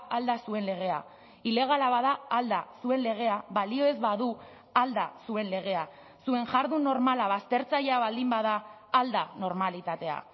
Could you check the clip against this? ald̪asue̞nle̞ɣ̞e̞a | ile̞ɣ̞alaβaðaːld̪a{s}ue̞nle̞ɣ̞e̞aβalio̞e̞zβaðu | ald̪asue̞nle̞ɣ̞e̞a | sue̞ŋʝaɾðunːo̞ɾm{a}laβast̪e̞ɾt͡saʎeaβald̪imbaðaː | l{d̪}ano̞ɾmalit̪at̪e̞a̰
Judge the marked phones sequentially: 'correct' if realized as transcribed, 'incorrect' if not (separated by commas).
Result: correct, correct, correct